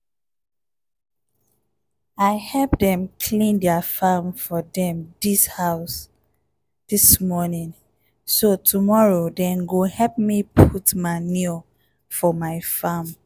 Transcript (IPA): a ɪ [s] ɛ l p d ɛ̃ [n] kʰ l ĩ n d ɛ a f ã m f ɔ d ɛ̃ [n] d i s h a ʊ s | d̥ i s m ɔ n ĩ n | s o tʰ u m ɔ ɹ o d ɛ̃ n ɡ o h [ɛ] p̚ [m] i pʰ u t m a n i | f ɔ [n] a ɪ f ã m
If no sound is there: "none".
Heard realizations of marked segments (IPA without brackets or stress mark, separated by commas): h, m, m, ɛ, m, m